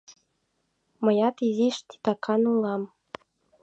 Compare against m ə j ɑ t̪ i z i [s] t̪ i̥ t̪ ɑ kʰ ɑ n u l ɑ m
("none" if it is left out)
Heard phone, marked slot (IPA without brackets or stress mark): ʃ